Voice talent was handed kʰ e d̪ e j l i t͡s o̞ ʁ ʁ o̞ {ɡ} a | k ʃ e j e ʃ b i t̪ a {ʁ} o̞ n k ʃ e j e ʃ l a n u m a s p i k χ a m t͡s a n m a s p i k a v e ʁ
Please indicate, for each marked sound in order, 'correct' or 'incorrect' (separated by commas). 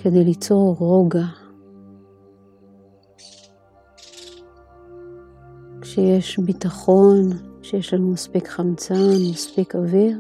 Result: correct, incorrect